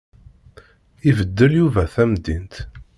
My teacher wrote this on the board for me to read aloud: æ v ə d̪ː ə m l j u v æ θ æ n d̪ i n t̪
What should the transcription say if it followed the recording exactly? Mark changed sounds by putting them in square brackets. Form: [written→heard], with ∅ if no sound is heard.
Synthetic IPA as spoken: [æ→i] v ə d̪ː ə [m→∅] l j u v æ θ æ [n→m] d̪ i n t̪

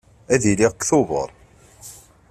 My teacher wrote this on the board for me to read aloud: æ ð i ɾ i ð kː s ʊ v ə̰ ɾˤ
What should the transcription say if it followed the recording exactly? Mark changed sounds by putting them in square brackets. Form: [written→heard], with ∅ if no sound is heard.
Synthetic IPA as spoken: æ ð i [ɾ→l] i [ð→ʁ] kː [s→θ] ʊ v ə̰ ɾˤ

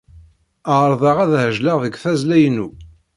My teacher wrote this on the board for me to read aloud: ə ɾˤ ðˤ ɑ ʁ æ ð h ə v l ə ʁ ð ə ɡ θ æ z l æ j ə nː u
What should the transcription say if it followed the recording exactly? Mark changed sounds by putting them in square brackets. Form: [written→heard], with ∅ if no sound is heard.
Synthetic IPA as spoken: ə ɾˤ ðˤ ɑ ʁ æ ð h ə [v→ʒ] l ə ʁ ð ə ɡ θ æ z l æ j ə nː u

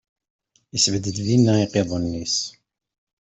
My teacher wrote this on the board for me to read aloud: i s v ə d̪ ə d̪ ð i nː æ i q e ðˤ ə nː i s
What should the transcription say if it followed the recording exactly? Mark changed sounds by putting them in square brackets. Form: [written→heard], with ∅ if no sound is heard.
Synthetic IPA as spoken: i s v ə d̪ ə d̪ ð i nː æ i q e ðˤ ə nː i s

